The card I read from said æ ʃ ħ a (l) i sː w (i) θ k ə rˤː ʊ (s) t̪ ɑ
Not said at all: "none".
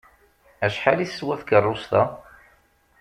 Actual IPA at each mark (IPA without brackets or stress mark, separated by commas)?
l, æ, s